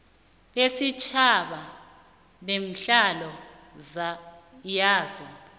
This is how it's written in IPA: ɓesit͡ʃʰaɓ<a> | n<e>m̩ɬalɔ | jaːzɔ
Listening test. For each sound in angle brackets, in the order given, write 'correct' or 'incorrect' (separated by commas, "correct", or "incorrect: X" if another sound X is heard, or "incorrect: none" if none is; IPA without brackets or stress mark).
correct, correct